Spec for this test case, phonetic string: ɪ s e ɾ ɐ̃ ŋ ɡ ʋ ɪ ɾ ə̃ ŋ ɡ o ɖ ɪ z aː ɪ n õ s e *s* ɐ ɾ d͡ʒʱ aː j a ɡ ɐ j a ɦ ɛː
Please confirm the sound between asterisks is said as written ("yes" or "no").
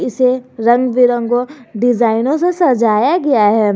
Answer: yes